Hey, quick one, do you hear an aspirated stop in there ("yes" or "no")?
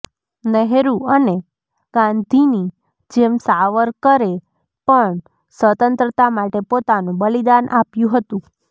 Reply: no